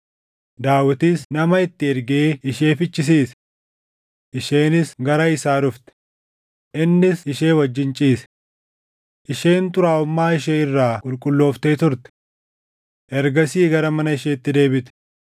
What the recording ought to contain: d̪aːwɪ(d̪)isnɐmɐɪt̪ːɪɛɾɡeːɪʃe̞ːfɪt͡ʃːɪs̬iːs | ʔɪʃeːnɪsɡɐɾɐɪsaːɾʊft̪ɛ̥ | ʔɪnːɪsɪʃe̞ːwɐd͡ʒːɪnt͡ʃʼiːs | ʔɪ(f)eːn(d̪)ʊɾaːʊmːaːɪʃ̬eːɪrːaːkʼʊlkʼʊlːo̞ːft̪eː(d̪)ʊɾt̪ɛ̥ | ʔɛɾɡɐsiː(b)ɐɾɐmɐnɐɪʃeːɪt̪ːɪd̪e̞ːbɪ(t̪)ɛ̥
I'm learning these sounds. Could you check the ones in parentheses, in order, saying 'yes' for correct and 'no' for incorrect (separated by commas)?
no, no, no, no, no, yes